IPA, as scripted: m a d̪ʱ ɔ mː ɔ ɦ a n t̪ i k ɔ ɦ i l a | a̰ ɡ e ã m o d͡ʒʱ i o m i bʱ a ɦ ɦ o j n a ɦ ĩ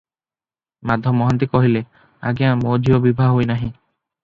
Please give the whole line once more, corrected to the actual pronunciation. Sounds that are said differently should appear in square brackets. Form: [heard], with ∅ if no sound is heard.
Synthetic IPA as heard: m a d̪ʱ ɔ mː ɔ ɦ a n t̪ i k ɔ ɦ i l [e] | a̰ ɡ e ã m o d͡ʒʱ i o [b] i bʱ a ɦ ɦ o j n a ɦ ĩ